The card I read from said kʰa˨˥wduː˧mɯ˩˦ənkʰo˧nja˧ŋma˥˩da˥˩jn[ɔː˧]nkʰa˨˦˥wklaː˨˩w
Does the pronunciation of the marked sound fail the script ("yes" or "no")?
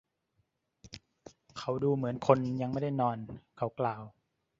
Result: no